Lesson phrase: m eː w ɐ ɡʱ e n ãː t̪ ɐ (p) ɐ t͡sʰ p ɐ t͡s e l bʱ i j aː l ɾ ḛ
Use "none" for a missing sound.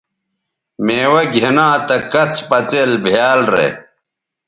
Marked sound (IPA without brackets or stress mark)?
k